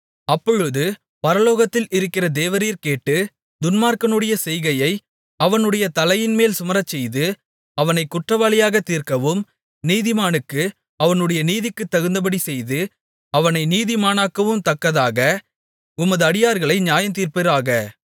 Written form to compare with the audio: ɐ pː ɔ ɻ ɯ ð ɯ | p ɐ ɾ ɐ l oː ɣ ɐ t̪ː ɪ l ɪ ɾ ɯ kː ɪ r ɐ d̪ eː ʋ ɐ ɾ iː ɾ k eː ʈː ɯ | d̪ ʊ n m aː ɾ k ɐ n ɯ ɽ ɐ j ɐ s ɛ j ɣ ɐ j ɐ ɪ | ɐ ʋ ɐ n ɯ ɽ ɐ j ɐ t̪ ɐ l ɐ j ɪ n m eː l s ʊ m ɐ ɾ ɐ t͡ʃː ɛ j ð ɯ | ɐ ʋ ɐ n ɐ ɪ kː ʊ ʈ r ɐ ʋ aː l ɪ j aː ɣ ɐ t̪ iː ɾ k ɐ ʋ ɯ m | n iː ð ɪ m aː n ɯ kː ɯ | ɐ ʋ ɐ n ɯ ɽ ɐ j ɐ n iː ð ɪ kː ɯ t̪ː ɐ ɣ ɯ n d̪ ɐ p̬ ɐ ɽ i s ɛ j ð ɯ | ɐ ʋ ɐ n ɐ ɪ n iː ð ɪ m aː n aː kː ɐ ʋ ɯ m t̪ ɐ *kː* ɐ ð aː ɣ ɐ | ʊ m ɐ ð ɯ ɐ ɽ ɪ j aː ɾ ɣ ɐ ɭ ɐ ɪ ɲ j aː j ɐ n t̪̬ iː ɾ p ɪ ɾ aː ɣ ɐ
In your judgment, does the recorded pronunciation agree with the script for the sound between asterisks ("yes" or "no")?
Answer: yes